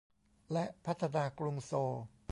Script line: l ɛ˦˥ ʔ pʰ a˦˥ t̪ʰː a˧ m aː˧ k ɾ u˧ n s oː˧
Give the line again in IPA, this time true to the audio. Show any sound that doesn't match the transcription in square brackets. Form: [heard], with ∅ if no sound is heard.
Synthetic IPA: l ɛ˦˥ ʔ pʰ a˦˥ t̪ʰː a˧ [n] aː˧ k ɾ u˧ [ŋ] s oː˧